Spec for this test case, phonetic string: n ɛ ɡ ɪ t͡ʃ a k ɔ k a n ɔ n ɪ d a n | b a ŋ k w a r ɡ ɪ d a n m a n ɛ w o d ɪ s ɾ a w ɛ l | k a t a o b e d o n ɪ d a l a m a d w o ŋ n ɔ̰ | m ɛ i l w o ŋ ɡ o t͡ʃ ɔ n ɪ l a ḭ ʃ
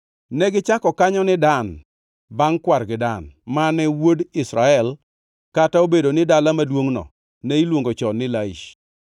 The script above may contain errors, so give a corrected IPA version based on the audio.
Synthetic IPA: n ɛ ɡ ɪ t͡ʃ a k ɔ k a ɲ ɔ n ɪ d a n | b a ŋ k w a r ɡ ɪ d a n m a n ɛ w o d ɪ s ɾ a ɛ l | k a t a o b e d o n ɪ d a l a m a d w o ŋ n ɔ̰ | n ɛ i l w o ŋ ɡ o t͡ʃ ɔ n ɪ l a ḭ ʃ

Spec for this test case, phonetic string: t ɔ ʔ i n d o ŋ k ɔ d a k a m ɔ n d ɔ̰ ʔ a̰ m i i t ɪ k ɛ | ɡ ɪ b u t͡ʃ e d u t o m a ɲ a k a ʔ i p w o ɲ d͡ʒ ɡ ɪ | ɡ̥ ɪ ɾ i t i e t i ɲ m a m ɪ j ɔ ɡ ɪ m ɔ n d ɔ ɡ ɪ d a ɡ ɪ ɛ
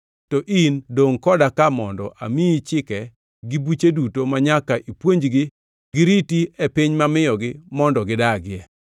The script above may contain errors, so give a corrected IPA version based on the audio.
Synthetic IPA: t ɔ ʔ i n d o ŋ k ɔ d a k a m ɔ n d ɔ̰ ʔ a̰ m i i t͡ʃ ɪ k ɛ | ɡ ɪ b u t͡ʃ e d u t o m a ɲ a k a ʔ i p w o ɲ d͡ʒ ɡ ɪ | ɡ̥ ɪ ɾ i t i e p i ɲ m a m ɪ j ɔ ɡ ɪ m ɔ n d ɔ ɡ ɪ d a ɡ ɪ ɛ

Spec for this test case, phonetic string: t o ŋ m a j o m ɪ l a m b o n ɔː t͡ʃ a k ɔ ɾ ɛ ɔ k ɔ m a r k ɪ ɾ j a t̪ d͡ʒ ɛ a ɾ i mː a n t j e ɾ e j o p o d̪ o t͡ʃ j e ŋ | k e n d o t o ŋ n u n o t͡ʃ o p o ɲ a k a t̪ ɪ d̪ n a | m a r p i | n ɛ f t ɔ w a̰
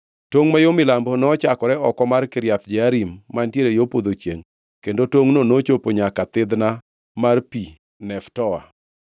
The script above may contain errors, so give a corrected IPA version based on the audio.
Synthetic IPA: t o ŋ m a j o m ɪ l a m b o n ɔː t͡ʃ a k ɔ ɾ ɛ ɔ k ɔ m a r k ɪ ɾ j a t̪ d͡ʒ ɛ a ɾ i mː a n t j e ɾ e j o p o d̪ o t͡ʃ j e ŋ | k e n d o t o ŋ n o n o t͡ʃ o p o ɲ a k a t̪ ɪ d̪ n a | m a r p i | n ɛ f t ɔ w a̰

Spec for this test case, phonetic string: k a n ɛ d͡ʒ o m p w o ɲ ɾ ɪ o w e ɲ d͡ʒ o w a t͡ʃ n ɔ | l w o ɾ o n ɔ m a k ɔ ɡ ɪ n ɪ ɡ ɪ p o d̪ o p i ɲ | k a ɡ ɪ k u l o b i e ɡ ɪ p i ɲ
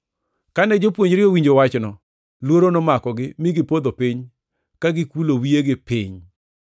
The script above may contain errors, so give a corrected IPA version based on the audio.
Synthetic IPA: k a n ɛ d͡ʒ o p w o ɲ ɾ ɪ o w i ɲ d͡ʒ o w a t͡ʃ n ɔ | l w o ɾ o n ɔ m a k ɔ ɡ ɪ m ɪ ɡ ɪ p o d̪ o p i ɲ | k a ɡ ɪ k u l o w i e ɡ ɪ p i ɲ

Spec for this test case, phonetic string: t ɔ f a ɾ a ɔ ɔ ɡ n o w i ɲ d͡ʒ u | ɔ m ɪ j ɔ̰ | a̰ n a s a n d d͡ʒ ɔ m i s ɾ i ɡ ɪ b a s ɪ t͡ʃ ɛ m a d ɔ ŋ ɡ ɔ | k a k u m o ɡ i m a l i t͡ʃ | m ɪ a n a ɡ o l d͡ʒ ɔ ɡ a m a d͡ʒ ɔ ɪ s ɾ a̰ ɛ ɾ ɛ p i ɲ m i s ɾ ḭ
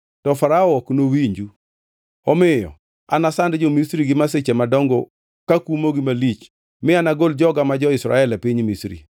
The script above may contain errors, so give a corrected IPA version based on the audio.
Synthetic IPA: t ɔ f a ɾ a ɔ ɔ k n o w i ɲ d͡ʒ u | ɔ m ɪ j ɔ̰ | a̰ n a s a n d d͡ʒ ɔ m i s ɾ i ɡ ɪ m a s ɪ t͡ʃ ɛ m a d ɔ ŋ ɡ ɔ | k a k u m o ɡ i m a l i t͡ʃ | m ɪ a n a ɡ o l d͡ʒ ɔ ɡ a m a d͡ʒ ɔ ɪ s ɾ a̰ ɛ l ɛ p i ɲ m i s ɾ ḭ

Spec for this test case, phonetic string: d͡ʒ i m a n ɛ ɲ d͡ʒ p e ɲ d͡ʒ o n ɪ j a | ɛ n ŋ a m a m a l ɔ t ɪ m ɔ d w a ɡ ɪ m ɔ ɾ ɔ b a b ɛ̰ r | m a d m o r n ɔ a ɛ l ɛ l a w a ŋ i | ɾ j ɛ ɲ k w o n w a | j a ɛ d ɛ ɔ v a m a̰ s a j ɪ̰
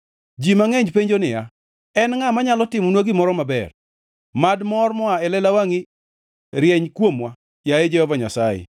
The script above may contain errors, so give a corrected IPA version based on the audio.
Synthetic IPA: d͡ʒ i m a ŋ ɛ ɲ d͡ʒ p e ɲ d͡ʒ o n ɪ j a | ɛ n ŋ a m a ɲ a l ɔ t ɪ m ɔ n w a ɡ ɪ m ɔ ɾ ɔ m a b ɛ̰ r | m a d m ɔ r m ɔ a ɛ l ɛ l a w a ŋ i | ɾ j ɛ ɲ k w o m w a | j a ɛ d͡ʒ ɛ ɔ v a ɲ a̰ s a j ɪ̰

